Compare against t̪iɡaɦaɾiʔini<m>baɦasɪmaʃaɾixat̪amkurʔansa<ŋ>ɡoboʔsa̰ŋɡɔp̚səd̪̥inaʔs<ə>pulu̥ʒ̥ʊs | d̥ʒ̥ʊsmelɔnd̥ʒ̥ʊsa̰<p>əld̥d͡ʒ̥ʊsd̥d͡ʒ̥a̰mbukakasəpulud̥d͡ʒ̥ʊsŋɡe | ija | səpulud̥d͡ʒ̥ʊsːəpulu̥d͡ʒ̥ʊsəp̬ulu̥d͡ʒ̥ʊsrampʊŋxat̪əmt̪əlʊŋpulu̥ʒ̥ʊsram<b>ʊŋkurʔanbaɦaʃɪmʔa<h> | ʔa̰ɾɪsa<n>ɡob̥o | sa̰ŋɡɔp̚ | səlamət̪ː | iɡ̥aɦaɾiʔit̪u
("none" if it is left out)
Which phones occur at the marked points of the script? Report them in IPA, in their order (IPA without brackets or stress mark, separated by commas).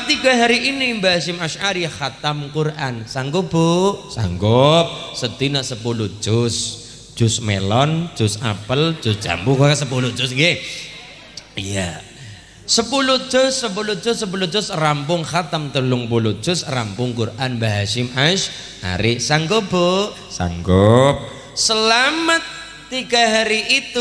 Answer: m, ŋ, ə, p, p, ʃ, ŋ